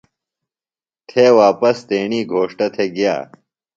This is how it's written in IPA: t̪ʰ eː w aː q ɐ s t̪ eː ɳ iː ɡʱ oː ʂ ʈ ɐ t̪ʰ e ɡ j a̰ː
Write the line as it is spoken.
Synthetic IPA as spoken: t̪ʰ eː w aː p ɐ s t̪ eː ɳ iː ɡʱ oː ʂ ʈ ɐ t̪ʰ e ɡ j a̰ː